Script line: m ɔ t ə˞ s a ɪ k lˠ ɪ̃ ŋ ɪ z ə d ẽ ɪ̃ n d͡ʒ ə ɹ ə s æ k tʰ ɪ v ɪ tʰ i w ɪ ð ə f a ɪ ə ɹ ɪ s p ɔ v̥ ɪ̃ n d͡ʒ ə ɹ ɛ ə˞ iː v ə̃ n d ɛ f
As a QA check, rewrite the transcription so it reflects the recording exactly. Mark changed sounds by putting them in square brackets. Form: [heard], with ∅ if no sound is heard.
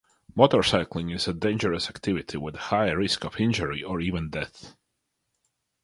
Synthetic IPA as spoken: m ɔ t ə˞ s a ɪ k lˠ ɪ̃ ŋ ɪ z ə d ẽ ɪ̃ n d͡ʒ ə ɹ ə s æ k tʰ ɪ v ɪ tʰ i w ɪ ð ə [h] a ɪ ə ɹ ɪ s [k] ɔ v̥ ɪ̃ n d͡ʒ ə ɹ [i] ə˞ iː v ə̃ n d ɛ [θ]